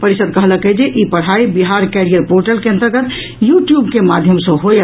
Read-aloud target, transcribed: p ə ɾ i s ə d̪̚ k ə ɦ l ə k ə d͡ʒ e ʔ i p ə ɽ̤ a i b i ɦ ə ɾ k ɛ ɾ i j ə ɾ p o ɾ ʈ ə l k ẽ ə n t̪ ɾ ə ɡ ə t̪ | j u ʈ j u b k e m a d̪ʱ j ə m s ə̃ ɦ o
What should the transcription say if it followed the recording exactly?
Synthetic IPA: p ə ɾ i s ə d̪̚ k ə ɦ l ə k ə d͡ʒ e ʔ i p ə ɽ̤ a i b i ɦ a ɾ k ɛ ɾ i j ə ɾ p o ɾ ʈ ə l k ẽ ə n t̪ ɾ ə ɡ ə t̪ | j u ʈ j u b k e m a d̪ʱ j ə m s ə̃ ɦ o